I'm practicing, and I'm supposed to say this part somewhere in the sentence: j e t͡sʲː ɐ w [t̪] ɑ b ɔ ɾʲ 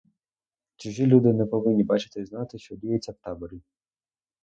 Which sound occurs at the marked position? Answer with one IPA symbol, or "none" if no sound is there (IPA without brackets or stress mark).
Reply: t̪